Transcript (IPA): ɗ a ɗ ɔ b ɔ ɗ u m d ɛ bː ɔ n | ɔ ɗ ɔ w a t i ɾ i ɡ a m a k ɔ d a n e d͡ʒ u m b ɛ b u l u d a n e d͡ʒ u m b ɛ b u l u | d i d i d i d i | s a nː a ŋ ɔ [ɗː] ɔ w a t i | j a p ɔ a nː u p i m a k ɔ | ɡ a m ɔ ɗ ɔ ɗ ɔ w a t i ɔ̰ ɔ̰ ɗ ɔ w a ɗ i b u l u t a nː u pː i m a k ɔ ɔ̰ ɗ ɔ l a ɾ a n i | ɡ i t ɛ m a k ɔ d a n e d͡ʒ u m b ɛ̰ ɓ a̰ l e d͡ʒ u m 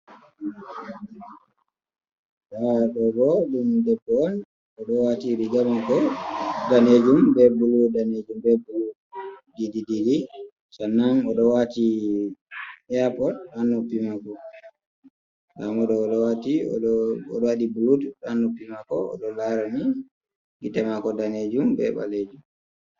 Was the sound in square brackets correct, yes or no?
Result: no